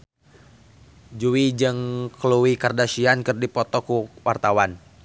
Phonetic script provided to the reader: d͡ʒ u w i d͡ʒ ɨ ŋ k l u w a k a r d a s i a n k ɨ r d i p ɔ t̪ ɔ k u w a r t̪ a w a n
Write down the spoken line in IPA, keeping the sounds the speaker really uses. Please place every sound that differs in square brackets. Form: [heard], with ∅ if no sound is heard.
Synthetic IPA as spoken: d͡ʒ u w i d͡ʒ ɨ ŋ k l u w [i] k a r d a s i a n k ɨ r d i p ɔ t̪ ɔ k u w a r t̪ a w a n